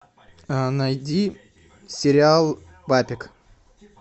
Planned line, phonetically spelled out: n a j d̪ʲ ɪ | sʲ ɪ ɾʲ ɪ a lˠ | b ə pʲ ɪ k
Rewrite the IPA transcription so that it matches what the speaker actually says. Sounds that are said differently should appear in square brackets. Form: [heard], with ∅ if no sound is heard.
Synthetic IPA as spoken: n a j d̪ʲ [i] | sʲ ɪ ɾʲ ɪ a lˠ | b [a] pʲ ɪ k